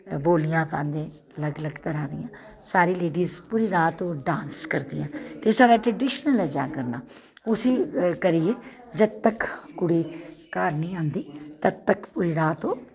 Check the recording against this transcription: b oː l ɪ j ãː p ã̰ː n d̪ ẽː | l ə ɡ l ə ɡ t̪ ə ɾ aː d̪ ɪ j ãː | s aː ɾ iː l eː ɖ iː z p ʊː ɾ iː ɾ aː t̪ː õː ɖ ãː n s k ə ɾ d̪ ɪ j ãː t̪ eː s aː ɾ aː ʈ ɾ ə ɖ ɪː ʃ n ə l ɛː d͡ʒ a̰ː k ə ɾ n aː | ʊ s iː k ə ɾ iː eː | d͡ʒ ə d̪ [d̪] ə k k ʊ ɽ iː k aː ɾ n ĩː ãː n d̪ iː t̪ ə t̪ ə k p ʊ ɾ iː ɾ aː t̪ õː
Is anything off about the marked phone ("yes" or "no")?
yes